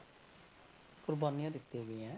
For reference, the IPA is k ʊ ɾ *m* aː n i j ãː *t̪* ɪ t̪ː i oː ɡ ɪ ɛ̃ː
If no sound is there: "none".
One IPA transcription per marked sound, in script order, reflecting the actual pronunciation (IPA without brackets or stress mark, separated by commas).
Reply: b, d̪